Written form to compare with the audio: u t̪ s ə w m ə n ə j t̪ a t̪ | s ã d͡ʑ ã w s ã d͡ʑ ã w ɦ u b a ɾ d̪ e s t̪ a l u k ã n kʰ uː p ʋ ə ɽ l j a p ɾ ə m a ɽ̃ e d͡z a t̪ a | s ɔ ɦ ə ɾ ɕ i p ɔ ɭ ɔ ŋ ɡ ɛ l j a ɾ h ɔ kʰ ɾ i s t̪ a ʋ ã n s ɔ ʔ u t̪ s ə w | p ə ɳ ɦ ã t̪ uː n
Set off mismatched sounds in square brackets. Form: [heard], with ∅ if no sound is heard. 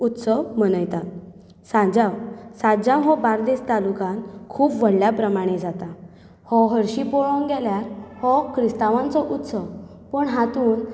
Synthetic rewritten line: u t̪ s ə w m ə n ə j t̪ a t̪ | s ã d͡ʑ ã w s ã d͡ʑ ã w ɦ [ɔ] b a ɾ d̪ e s t̪ a l u k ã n kʰ uː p ʋ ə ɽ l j a p ɾ ə m a ɽ̃ e d͡z a t̪ a | [h] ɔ ɦ ə ɾ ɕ i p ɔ ɭ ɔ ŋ ɡ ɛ l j a ɾ h ɔ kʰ ɾ i s t̪ a ʋ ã n [t͡s] ɔ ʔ u t̪ s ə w | p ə ɳ ɦ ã t̪ uː n